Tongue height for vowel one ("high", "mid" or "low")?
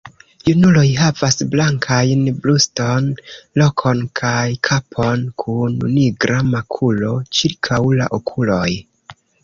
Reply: high